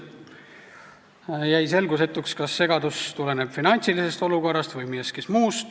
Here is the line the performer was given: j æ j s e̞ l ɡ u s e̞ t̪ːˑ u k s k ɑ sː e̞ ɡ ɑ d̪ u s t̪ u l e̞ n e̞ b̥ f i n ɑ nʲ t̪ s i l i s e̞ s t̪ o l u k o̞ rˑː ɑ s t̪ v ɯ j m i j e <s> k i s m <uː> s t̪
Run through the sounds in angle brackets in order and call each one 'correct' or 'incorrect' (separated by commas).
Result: correct, correct